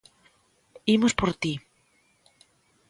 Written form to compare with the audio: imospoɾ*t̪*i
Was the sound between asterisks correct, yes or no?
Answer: yes